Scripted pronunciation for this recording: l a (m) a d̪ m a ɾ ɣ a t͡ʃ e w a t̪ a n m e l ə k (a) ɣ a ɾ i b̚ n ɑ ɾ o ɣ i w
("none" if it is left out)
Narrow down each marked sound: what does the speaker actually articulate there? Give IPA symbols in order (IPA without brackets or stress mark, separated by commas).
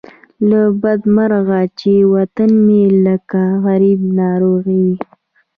b, a